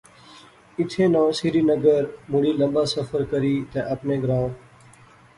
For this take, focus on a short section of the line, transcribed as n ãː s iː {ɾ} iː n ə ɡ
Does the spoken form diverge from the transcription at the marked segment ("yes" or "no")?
no